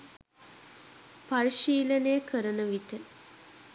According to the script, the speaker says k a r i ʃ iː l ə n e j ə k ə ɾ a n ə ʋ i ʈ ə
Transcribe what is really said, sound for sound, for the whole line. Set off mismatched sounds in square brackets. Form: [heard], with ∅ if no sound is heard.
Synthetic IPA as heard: [p] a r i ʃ iː l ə n e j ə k ə ɾ [ə] n ə ʋ i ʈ ə